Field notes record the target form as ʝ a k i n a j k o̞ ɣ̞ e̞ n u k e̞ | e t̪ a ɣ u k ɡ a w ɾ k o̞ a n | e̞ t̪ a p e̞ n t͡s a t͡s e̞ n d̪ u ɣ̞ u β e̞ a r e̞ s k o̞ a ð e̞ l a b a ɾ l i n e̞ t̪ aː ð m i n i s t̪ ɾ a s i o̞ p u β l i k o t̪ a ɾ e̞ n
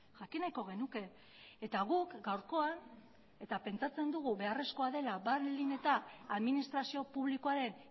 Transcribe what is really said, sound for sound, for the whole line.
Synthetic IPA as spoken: ʝ a k i n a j k o̞ ɣ̞ e̞ n u k e̞ | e t̪ a ɣ u k ɡ a w ɾ k o̞ a n | e̞ t̪ a p e̞ n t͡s a t͡s e̞ n d̪ u ɣ̞ u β e̞ a r e̞ s k o̞ a ð e̞ l a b a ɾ l i n e̞ t̪ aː ð m i n i s t̪ ɾ a s i o̞ p u β l i k o a ɾ e̞ n